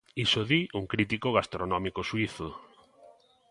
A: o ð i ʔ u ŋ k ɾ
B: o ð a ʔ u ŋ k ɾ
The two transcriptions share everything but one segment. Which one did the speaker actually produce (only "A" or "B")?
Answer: A